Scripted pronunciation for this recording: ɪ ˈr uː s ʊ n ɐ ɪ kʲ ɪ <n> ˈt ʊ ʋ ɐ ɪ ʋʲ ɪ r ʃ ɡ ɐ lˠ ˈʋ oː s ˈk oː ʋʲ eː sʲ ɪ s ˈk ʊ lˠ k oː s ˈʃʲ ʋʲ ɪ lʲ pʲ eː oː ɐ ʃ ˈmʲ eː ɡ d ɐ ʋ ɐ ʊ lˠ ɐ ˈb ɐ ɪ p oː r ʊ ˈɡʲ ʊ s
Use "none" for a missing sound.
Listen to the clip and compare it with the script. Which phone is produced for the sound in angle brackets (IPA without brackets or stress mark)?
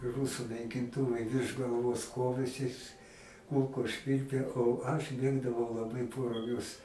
n